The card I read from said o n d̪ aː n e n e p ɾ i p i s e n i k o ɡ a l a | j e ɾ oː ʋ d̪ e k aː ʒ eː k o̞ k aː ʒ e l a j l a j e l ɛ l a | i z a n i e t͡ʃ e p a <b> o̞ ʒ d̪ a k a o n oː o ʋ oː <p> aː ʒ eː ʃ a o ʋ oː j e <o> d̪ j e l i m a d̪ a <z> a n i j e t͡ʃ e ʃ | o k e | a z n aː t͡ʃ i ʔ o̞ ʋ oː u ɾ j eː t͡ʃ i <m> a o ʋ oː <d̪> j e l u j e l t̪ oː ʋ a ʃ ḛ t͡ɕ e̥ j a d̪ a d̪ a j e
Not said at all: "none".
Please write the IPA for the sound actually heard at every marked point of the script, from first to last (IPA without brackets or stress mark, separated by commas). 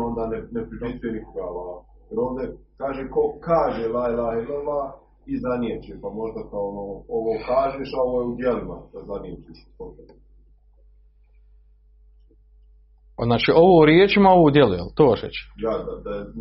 m, k, u, z, m, d̪